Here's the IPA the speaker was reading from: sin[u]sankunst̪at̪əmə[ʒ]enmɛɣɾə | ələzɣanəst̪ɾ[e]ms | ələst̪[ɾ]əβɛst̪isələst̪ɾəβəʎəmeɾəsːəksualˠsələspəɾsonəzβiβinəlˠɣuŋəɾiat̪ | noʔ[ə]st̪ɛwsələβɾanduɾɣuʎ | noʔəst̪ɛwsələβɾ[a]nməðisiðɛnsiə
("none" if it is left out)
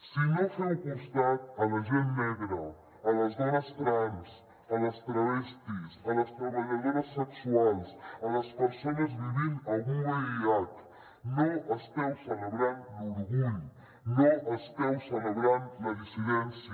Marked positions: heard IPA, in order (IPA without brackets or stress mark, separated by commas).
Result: o, ʒ, a, ɾ, ə, a